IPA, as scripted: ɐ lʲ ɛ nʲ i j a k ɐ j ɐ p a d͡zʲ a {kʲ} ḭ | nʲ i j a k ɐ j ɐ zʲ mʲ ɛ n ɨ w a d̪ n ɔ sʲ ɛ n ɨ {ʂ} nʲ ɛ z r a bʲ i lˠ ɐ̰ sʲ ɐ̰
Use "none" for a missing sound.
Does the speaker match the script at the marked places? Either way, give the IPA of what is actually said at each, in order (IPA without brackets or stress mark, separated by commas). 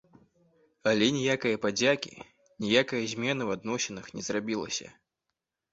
kʲ, x